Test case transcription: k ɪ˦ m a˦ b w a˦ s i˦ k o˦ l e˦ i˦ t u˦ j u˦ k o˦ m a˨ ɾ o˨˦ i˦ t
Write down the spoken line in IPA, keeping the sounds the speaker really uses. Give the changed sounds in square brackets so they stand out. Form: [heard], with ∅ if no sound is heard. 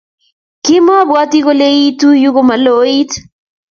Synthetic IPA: k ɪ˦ m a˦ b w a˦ [t] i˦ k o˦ l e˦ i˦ t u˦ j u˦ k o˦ m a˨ [l] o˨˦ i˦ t